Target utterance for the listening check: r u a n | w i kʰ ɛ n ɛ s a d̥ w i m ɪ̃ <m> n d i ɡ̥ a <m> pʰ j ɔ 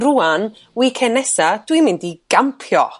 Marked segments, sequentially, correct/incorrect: incorrect, correct

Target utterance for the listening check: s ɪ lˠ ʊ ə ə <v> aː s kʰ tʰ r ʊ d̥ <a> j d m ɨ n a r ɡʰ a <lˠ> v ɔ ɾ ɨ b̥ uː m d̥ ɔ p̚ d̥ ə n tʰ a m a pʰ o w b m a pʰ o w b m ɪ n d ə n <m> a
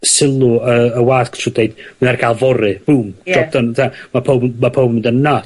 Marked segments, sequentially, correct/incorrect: incorrect, incorrect, correct, incorrect

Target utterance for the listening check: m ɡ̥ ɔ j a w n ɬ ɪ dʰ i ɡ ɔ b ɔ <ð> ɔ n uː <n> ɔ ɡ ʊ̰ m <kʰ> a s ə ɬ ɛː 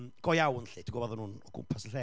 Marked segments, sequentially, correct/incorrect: correct, correct, incorrect

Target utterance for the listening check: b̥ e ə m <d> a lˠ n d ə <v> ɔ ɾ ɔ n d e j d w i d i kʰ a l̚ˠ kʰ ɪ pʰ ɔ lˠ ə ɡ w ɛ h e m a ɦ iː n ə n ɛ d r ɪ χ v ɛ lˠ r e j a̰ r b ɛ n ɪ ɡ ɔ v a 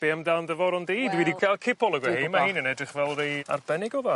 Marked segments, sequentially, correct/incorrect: correct, correct

